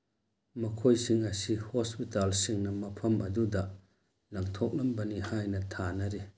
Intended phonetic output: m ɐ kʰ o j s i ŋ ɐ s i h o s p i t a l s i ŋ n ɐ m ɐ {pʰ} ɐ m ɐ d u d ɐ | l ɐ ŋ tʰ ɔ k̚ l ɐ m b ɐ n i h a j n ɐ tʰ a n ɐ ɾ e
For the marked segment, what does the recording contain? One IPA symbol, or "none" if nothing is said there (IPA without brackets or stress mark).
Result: pʰ